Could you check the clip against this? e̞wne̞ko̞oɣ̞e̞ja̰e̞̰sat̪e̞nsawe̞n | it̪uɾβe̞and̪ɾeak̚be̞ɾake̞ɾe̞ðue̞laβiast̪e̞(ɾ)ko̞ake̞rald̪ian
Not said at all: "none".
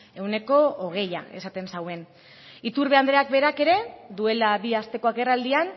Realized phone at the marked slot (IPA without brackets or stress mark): none